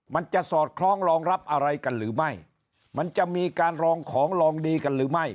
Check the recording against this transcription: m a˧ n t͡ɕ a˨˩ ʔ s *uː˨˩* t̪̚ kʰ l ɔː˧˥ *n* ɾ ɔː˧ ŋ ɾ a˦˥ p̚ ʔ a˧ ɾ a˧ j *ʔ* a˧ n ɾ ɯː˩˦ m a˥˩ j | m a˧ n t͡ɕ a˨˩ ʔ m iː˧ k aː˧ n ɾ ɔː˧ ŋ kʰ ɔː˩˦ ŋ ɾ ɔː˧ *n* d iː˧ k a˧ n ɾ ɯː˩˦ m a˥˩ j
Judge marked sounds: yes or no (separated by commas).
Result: no, no, no, no